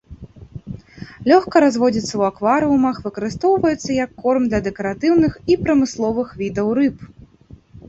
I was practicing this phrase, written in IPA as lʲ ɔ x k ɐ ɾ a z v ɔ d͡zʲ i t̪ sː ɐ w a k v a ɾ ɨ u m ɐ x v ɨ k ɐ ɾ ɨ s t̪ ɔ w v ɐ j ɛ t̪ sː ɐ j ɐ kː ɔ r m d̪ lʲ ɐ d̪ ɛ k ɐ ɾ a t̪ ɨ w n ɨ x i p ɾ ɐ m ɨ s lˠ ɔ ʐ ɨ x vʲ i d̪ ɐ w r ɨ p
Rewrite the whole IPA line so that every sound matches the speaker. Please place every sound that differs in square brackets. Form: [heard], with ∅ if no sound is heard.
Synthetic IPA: lʲ ɔ x k ɐ ɾ a z v ɔ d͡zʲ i t̪ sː ɐ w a k v a ɾ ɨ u m ɐ x v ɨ k ɐ ɾ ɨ s t̪ ɔ w v ɐ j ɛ t̪ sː ɐ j ɐ kː ɔ r m d̪ lʲ ɐ d̪ ɛ k ɐ ɾ a t̪ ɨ w n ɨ x i p ɾ ɐ m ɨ s lˠ ɔ [v] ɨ x vʲ i d̪ ɐ w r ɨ p

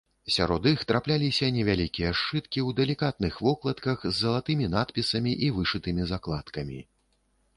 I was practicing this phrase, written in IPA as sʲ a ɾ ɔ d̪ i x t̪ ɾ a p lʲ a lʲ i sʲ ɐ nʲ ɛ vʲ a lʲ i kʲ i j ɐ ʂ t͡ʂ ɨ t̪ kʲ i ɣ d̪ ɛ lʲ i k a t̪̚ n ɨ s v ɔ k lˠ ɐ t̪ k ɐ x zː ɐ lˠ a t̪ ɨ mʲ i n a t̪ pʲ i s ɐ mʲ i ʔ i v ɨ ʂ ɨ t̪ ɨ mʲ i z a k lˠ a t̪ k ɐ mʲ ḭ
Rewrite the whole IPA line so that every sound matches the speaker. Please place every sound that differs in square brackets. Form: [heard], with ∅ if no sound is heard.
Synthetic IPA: sʲ a ɾ ɔ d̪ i x t̪ ɾ a p lʲ a lʲ i sʲ ɐ nʲ ɛ vʲ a lʲ i kʲ i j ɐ ʂ t͡ʂ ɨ t̪ kʲ i [w] d̪ ɛ lʲ i k a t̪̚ n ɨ [x] v ɔ k lˠ ɐ t̪ k ɐ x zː ɐ lˠ a t̪ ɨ mʲ i n a t̪ pʲ i s ɐ mʲ i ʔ i v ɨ ʂ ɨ t̪ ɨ mʲ i z a k lˠ a t̪ k ɐ mʲ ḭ

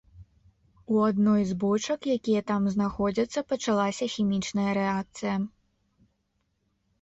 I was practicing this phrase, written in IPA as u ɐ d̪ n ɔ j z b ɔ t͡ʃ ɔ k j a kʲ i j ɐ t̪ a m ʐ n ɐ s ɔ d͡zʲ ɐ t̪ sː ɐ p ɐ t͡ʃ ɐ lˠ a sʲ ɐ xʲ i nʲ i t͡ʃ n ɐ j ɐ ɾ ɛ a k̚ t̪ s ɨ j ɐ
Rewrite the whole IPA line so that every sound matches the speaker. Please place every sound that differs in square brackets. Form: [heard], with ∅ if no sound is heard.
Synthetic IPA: u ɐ d̪ n ɔ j z b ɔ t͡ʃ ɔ k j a kʲ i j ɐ t̪ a m [z] n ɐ [x] ɔ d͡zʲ ɐ t̪ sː ɐ p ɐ t͡ʃ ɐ lˠ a sʲ ɐ xʲ i [mʲ] i t͡ʃ n ɐ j ɐ ɾ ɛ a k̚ t̪ s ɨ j ɐ

